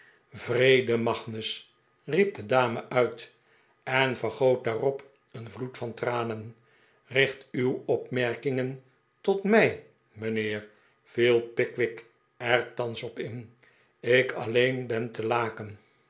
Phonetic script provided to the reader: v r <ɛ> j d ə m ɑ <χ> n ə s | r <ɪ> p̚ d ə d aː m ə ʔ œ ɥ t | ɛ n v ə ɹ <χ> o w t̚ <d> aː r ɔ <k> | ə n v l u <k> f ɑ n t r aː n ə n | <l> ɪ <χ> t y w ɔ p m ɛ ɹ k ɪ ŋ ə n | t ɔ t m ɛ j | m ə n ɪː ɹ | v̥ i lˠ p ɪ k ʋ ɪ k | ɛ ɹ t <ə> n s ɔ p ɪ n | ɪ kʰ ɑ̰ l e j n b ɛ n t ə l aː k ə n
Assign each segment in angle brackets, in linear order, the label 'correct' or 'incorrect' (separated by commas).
incorrect, correct, incorrect, correct, correct, incorrect, incorrect, incorrect, correct, incorrect